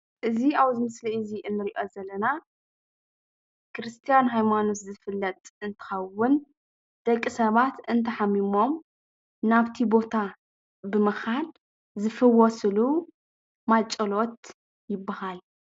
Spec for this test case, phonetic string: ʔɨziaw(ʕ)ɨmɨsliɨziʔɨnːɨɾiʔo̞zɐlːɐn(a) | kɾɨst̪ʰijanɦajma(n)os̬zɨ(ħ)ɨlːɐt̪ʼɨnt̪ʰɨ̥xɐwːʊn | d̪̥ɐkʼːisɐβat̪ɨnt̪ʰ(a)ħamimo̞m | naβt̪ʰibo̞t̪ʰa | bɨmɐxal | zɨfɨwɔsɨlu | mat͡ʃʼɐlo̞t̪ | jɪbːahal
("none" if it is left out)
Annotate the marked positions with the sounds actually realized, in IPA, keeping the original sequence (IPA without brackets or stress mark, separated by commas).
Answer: z, a, n, f, ɐ